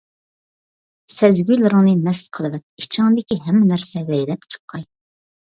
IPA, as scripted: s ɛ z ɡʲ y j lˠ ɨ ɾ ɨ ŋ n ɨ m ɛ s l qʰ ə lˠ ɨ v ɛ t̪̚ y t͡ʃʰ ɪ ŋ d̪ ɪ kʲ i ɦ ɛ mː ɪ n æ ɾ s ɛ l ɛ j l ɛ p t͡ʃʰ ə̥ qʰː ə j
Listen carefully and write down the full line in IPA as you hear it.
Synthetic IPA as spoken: s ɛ z ɡʲ y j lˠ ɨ ɾ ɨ ŋ n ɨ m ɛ s l qʰ ə lˠ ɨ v ɛ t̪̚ i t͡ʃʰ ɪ ŋ d̪ ɪ kʲ i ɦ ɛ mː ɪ n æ ɾ s ɛ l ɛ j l ɛ p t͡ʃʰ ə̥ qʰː ɑ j